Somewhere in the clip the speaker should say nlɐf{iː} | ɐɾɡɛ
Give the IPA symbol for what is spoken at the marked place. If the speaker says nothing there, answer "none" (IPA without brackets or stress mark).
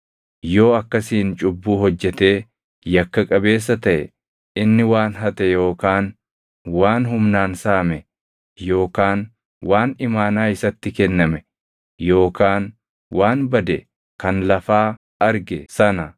aː